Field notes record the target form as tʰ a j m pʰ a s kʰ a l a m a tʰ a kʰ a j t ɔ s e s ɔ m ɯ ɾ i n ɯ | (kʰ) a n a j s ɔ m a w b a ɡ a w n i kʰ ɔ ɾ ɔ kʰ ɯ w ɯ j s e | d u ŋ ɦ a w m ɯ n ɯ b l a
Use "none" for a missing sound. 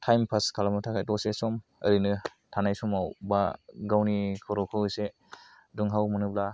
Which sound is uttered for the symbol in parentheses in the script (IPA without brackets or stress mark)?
tʰ